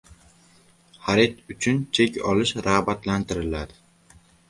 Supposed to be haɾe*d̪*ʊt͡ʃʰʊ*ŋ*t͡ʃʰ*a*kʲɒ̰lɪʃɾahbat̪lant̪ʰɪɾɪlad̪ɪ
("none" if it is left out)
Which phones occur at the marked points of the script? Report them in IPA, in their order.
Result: t̪, n, e

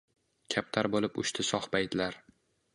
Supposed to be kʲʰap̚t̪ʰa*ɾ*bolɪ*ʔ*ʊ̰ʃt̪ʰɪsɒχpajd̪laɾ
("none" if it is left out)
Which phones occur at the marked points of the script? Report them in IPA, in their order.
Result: ɾ, p

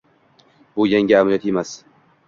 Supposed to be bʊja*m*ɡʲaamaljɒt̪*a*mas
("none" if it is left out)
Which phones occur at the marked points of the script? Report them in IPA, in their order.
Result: ŋ, e

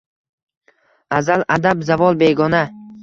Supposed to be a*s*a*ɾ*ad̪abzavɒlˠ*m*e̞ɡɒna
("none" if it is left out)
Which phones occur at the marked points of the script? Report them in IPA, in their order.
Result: z, l, b

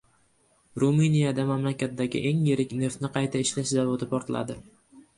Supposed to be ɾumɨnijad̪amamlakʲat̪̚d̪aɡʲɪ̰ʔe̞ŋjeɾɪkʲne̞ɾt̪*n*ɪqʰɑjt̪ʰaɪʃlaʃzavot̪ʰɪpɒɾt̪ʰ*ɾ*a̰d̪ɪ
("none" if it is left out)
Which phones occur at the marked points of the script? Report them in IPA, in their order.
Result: n, l

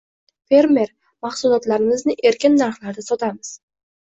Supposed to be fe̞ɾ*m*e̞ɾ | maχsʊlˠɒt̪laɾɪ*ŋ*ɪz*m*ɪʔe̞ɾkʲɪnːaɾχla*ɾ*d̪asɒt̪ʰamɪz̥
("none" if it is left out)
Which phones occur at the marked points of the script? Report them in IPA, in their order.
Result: m, m, n, ɾ

